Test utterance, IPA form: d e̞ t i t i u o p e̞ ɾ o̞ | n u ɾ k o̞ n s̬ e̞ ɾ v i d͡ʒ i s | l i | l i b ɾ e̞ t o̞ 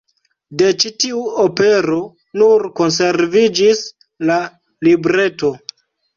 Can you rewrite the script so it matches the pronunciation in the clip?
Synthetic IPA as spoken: d e̞ t͡ʃ i t i u o p e̞ ɾ o̞ | n u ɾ k o̞ n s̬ e̞ ɾ v i d͡ʒ i s | l a | l i b ɾ e̞ t o̞